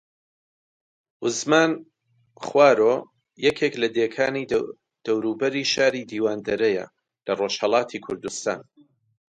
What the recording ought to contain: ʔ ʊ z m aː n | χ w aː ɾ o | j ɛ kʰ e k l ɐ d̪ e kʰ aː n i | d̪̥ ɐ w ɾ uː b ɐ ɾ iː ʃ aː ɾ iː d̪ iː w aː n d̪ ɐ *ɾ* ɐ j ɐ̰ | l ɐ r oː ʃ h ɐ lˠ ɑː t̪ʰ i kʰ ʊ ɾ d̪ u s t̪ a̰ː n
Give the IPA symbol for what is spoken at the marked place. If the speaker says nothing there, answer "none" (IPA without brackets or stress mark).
ɾ